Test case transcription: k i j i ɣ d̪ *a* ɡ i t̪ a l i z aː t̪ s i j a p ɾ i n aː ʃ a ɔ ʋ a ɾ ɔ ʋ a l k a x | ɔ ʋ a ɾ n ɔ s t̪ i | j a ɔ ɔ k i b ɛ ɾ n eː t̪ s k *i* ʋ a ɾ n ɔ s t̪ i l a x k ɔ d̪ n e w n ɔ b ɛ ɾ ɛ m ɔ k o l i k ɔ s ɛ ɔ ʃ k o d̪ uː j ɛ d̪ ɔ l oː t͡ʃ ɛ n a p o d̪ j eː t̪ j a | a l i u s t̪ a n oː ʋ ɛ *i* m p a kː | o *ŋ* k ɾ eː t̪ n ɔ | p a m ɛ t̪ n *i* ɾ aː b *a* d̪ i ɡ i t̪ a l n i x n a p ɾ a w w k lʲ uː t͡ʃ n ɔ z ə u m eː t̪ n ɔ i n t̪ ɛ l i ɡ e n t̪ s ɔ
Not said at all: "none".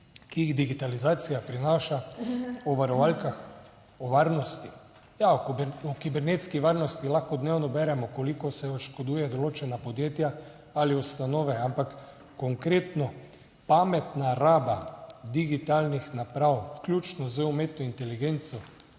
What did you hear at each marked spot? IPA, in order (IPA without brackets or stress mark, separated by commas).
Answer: i, i, a, ŋ, a, a